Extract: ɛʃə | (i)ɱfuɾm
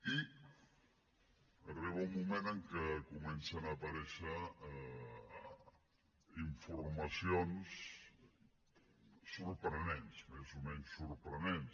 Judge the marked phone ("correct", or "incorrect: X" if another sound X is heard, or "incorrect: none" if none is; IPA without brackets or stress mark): correct